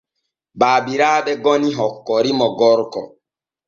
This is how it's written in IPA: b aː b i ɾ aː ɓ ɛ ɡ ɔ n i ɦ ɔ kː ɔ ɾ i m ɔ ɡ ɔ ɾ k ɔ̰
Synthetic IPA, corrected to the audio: b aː b i ɾ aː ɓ ɛ ɡ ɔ n i ɦ ɔ kː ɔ ɾ i m ɔ ɡ ɔ ɾ k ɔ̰